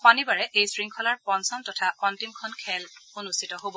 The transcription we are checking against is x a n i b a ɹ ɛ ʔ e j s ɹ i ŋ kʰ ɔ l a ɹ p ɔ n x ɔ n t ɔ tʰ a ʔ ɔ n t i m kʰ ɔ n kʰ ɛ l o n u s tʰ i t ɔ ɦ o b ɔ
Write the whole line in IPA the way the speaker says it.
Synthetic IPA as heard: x a n i b a ɹ ɛ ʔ e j s ɹ i ŋ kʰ ɔ l a ɹ p ɔ n s ɔ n t ɔ tʰ a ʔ ɔ n t i m kʰ ɔ n kʰ ɛ l o n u s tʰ i t ɔ ɦ o b ɔ